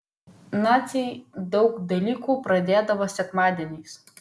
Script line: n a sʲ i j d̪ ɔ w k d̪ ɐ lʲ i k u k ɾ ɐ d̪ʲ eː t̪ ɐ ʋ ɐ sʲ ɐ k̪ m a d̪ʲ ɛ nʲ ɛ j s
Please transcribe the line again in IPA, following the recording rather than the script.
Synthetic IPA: n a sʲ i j d̪ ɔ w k d̪ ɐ lʲ i k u p ɾ ɐ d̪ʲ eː d̪ ɐ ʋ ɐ sʲ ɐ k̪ m a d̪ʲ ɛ nʲ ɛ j s